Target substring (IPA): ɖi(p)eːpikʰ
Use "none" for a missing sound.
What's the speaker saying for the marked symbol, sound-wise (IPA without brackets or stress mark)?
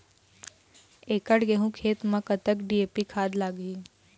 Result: none